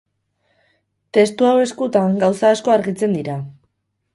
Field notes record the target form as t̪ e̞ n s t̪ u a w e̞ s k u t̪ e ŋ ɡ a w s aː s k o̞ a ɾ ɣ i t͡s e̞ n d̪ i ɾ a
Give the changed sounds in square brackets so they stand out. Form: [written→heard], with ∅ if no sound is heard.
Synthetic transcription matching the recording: t̪ e̞ [n→∅] s t̪ u a w e̞ s k u t̪ [e→a] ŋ ɡ a w s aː s k o̞ a ɾ ɣ i t͡s e̞ n d̪ i ɾ a